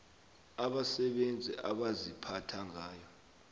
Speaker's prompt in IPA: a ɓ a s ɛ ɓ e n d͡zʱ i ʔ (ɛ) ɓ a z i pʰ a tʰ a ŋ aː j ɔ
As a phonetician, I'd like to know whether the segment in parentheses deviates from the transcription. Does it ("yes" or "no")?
yes